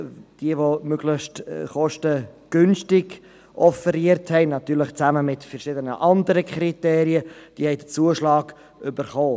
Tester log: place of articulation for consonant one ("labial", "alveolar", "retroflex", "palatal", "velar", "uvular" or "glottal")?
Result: alveolar